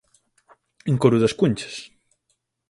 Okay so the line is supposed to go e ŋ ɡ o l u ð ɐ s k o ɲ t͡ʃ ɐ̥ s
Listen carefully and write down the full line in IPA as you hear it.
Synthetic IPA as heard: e ŋ k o ɾ u ð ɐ s k u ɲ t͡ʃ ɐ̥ s